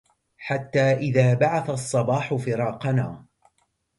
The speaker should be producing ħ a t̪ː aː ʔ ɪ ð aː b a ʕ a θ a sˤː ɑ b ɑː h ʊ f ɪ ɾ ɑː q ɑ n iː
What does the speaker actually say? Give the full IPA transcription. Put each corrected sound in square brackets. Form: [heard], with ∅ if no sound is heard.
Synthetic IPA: ħ a t̪ː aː ʔ ɪ ð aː b a ʕ a θ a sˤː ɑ b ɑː [ħ] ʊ f ɪ ɾ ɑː q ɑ n [aː]

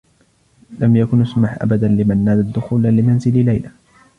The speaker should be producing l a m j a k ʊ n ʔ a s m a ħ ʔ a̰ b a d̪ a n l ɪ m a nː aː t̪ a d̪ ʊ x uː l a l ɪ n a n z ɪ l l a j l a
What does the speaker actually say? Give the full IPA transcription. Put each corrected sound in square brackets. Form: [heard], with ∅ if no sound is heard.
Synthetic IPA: l a m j a k ʊ n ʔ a s m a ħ ʔ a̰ b a d̪ a n l ɪ m a nː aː [d̪] a d̪ ʊ x uː l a l ɪ [m] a n z ɪ l l a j l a

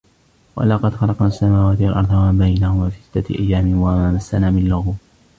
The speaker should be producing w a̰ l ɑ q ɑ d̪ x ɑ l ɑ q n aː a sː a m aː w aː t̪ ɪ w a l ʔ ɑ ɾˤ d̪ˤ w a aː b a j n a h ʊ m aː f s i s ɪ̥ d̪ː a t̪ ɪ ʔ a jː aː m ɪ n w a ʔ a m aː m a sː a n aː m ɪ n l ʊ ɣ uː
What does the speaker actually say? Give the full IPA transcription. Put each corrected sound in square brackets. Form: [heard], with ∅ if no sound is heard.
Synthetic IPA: w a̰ l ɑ q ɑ d̪ x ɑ l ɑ q n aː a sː a m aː w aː t̪ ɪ w a l ʔ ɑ ɾˤ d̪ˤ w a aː b a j n a h ʊ m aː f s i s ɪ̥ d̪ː a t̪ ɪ ʔ a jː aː m ɪ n w a ʔ a m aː m a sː a n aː m ɪ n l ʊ ɣ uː

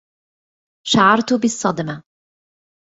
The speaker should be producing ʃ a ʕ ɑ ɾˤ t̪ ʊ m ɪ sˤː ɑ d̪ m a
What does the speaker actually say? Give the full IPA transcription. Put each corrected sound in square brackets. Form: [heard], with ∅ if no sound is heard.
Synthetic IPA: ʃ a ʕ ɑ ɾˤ t̪ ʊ [b] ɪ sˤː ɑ d̪ m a

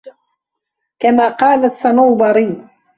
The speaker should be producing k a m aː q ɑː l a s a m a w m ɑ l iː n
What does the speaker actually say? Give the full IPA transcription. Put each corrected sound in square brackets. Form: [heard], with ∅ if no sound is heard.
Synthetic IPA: k a m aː q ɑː l a s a [n] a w [b] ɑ [ɾ] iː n

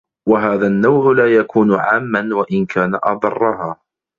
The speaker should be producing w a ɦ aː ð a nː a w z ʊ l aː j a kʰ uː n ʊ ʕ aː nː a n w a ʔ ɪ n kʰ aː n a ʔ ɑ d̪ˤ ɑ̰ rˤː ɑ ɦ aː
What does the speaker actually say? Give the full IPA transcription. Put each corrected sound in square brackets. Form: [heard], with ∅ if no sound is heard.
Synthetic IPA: w a ɦ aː ð a nː a w [ʕ] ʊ l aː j a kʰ uː n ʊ ʕ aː [mː] a n w a ʔ ɪ n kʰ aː n a ʔ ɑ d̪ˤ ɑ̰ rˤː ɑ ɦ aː

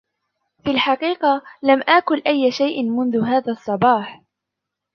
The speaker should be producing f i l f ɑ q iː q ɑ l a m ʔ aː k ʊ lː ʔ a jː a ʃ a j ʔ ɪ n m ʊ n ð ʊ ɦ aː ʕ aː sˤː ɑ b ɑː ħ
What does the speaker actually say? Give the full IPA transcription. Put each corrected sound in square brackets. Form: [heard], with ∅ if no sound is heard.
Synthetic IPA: f i l [ħ] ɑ q iː q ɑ l a m ʔ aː k ʊ [l] ʔ a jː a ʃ a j ʔ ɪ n m ʊ n ð ʊ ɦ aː [ð] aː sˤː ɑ b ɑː ħ

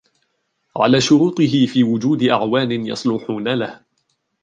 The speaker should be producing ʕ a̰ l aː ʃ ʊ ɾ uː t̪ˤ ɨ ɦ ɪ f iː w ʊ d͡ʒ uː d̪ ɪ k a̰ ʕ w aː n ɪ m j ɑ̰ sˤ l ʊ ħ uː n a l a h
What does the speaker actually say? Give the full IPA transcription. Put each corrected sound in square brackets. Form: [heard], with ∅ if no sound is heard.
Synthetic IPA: ʕ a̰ l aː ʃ ʊ ɾ uː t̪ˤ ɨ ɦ ɪ f iː w ʊ d͡ʒ uː d̪ ɪ [ʔ] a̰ ʕ w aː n ɪ [n] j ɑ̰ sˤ l ʊ ħ uː n a l a h

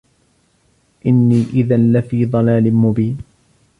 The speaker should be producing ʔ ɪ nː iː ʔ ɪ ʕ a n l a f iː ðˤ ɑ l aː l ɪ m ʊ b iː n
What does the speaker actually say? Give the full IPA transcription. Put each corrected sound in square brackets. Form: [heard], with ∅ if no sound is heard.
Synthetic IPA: ʔ ɪ nː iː ʔ ɪ [ð] a n l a f iː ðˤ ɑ l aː l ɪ m ʊ b iː n

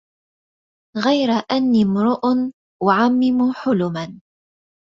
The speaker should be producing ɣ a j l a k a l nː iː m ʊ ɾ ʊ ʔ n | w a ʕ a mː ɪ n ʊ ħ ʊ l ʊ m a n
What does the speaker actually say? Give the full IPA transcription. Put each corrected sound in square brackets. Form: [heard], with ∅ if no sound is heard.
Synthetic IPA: ɣ a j [ɾ] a [ʔ] a [∅] nː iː m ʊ ɾ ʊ ʔ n | w a ʕ a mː ɪ [m] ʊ ħ ʊ l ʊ m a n

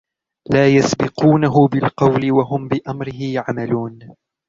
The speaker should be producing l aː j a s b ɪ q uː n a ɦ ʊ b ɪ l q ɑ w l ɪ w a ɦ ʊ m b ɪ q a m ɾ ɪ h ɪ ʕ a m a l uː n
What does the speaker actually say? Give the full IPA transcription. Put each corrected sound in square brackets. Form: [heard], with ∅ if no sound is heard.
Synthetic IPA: l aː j a s b ɪ q uː n a ɦ ʊ b ɪ l q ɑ w l ɪ w a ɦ ʊ m b ɪ [ʔ] a m ɾ ɪ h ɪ ʕ a m a l uː n

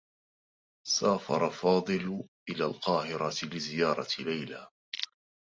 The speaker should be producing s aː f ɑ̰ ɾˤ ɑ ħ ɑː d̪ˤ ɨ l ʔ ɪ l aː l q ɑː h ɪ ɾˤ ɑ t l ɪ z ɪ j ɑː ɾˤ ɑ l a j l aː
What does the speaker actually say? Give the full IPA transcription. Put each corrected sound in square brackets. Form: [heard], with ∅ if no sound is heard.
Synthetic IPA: s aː f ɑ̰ ɾˤ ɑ [f] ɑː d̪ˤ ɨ l ʔ ɪ l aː l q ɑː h ɪ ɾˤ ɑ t l ɪ z ɪ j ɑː ɾˤ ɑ l a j l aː

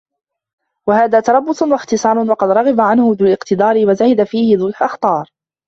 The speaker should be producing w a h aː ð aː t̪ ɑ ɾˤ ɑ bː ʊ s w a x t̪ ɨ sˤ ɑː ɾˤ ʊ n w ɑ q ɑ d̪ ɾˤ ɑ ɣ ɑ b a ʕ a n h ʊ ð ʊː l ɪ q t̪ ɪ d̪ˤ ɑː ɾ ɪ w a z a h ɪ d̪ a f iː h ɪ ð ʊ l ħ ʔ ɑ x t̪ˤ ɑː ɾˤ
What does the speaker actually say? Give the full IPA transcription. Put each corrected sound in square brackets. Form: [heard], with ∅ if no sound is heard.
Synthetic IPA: w a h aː ð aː t̪ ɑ ɾˤ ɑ bː ʊ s w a x t̪ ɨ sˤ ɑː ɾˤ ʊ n w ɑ q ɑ d̪ ɾˤ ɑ ɣ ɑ b a ʕ a n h ʊ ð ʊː l ɪ q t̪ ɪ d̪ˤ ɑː ɾ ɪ w a z a h ɪ d̪ a f iː h ɪ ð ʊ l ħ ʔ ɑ x t̪ˤ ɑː ɾˤ

